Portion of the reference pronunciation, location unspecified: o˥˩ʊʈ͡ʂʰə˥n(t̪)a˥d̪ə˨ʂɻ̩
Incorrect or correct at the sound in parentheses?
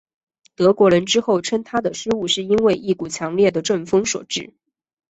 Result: incorrect: t̪ʰ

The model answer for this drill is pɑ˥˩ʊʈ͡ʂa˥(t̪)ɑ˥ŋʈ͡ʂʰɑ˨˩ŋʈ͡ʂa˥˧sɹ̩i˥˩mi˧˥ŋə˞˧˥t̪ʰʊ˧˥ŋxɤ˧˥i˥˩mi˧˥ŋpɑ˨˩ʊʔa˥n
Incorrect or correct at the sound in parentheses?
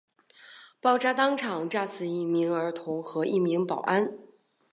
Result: correct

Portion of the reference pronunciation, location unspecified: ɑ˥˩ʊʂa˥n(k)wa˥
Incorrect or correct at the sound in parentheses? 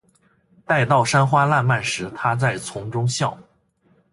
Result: incorrect: x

